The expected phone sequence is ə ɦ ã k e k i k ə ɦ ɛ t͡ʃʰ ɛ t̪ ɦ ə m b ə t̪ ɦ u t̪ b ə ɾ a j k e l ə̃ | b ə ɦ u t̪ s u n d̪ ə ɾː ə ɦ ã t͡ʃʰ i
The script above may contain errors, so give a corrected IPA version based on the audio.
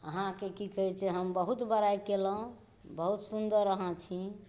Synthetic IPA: ə ɦ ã k e k i k ə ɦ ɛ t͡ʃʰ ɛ ɦ ə m b ə ɦ u t̪ b ə ɾ a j k e l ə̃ | b ə ɦ u t̪ s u n d̪ ə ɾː ə ɦ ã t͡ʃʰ i